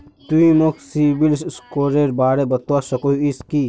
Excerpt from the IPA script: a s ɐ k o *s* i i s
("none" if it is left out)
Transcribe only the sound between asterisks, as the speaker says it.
none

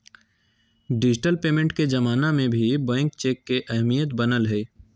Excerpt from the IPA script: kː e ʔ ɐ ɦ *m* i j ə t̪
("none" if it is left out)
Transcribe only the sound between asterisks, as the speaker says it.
m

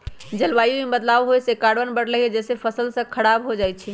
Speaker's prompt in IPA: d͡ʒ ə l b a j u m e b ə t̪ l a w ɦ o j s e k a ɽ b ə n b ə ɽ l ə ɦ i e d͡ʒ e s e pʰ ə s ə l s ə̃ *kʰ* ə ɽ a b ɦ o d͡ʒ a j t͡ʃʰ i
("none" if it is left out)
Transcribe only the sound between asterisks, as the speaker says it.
kʰ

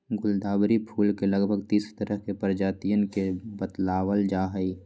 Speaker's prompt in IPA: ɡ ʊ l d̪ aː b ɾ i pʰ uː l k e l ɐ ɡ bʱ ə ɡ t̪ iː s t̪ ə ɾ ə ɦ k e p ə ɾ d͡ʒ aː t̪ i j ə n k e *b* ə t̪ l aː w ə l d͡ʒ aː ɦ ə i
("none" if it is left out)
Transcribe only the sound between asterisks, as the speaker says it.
b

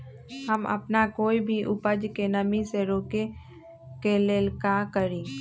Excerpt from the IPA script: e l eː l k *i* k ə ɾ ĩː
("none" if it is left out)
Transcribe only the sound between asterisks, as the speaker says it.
a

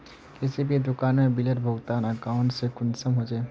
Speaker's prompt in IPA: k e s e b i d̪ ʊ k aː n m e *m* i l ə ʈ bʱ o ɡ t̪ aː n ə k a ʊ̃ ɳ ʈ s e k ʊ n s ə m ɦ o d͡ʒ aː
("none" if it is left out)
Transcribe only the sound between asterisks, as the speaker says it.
b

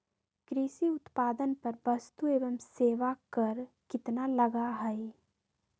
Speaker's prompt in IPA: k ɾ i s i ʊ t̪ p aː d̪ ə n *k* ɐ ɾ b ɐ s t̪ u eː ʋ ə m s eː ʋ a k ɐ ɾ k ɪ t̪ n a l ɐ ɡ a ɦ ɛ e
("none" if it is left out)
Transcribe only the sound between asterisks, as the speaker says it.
p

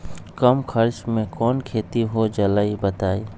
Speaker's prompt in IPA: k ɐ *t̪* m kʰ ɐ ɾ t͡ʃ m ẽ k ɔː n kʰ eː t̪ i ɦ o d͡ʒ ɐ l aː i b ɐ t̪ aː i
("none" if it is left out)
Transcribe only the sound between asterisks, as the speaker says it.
none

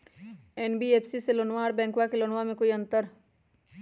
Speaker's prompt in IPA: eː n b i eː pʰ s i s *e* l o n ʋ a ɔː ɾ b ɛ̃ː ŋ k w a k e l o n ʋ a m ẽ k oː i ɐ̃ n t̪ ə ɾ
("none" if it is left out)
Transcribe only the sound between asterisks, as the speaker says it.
e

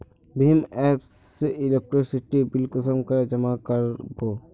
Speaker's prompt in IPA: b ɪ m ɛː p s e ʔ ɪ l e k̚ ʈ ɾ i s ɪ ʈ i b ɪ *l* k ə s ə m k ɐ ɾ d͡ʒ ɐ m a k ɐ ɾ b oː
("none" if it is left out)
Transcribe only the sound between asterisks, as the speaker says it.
l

